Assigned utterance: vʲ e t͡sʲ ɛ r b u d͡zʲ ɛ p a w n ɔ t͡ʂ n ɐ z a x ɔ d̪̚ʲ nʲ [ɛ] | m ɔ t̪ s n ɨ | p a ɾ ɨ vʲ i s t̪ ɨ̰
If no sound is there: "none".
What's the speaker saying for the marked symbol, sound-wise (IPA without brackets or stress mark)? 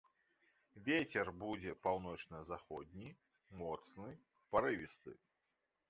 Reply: i